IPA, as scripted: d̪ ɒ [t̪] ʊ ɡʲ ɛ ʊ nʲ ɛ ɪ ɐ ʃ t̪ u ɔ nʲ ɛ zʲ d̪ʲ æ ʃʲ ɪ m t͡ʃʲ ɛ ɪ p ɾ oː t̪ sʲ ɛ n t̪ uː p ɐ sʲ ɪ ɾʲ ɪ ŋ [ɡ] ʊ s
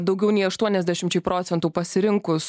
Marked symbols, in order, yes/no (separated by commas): no, no